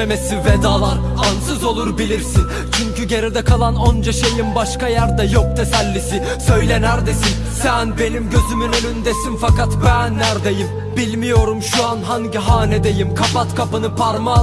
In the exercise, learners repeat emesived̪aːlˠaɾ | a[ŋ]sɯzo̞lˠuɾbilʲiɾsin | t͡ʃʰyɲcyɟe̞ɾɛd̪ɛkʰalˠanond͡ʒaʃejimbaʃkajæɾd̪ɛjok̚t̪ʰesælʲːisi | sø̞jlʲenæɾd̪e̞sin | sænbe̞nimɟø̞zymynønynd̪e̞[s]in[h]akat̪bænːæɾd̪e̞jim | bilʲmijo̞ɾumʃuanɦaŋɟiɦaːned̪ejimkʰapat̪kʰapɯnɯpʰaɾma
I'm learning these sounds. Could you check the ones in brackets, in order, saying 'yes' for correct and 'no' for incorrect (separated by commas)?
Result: no, yes, no